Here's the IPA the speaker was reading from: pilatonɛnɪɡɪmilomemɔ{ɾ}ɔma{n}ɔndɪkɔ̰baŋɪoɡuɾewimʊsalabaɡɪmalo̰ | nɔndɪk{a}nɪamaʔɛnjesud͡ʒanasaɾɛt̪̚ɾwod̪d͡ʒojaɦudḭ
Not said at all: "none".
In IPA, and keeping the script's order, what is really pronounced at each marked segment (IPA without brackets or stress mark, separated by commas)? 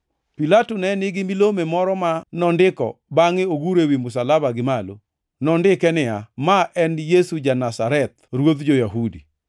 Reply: ɾ, n, ɛ